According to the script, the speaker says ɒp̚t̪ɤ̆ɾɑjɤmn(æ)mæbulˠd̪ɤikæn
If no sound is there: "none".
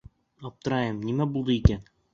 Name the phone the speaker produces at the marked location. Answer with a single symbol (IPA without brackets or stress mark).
i